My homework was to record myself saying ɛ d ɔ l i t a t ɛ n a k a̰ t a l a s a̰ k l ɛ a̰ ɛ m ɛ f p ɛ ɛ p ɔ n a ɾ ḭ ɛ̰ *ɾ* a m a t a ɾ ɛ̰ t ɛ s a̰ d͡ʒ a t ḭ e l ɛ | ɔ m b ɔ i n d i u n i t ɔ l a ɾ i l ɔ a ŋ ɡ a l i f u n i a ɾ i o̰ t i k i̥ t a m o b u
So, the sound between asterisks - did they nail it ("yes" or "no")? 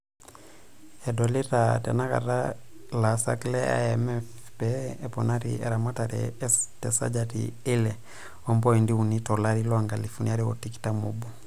yes